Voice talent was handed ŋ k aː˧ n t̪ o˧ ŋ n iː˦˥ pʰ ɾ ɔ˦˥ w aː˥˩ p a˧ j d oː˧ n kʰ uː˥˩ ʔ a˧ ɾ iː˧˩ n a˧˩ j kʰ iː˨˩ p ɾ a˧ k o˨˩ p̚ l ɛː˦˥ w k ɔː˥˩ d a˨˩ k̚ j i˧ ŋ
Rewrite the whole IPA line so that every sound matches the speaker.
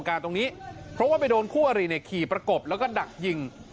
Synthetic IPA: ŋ k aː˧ n t̪ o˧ ŋ n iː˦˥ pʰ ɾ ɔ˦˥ w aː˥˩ p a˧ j d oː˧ n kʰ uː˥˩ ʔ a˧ ɾ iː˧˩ n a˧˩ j kʰ iː˨˩ p ɾ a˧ k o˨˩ p̚ l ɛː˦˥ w k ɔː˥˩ d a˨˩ k̚ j i˧ ŋ